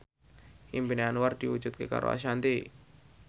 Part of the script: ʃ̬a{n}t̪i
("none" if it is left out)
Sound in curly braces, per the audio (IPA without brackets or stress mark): n